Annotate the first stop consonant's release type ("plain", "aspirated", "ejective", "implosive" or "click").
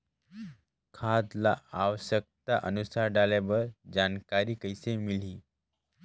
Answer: aspirated